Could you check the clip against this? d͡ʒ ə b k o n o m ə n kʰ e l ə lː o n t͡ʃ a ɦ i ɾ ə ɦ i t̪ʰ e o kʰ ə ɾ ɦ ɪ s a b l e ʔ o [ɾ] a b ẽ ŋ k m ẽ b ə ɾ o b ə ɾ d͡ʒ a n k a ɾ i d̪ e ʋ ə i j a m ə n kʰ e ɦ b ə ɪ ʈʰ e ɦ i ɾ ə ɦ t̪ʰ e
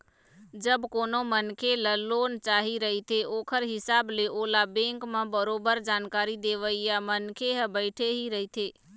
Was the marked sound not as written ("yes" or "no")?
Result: yes